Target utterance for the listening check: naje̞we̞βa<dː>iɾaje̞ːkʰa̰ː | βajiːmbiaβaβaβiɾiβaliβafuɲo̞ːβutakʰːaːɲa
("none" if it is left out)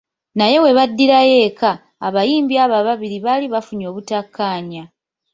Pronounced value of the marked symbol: dː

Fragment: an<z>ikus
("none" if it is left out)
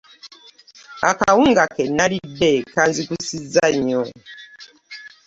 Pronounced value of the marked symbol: z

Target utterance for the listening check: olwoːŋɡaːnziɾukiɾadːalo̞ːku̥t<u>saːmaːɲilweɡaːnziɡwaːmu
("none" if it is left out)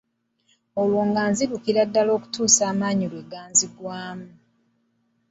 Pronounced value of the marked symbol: uː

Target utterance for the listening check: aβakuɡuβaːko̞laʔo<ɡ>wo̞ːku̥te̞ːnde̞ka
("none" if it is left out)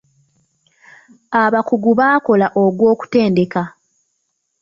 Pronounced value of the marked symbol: ɡ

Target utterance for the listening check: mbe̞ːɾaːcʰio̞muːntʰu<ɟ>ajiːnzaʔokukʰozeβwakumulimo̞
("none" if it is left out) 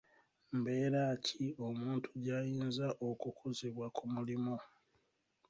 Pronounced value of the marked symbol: ɟ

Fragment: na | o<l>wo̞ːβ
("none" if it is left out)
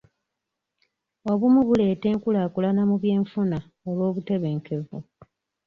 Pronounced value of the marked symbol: l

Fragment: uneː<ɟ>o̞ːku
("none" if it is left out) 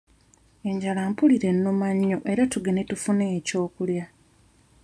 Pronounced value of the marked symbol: c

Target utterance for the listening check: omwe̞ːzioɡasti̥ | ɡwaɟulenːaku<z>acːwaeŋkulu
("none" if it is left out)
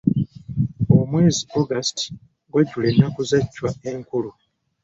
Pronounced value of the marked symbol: z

